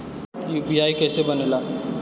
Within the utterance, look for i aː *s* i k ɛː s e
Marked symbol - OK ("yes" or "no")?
no